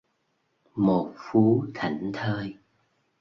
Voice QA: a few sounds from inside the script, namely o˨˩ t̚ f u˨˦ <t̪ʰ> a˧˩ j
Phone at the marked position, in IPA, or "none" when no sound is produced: t̪ʰ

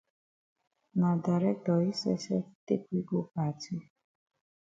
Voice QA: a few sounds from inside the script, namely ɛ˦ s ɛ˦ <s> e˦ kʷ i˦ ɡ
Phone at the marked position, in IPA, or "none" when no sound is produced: t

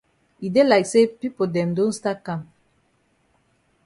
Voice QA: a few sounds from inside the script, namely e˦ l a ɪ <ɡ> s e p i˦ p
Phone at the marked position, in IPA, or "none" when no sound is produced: k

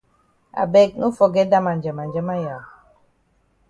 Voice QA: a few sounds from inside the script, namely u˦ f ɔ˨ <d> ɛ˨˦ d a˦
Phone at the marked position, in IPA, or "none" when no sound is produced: ɡ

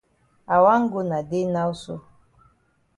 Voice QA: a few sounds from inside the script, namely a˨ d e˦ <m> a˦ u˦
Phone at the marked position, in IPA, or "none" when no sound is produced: n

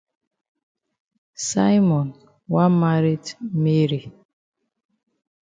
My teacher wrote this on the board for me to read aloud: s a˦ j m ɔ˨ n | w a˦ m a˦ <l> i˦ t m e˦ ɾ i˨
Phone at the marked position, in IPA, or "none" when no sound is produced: ɾ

